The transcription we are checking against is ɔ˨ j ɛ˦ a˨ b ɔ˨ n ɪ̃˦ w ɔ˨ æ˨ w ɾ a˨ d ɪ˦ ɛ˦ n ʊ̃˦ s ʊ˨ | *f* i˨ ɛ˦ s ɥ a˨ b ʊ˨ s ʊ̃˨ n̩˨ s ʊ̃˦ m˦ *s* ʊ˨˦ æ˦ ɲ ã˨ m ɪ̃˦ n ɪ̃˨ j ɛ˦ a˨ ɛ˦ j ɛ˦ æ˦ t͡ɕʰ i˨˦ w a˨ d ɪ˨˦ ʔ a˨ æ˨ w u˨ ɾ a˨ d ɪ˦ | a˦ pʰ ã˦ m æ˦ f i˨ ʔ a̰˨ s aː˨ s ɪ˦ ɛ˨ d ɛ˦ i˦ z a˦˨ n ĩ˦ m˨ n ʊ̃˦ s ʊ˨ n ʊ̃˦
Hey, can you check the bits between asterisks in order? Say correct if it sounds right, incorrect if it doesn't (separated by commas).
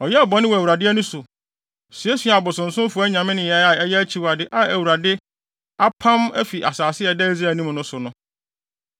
incorrect, incorrect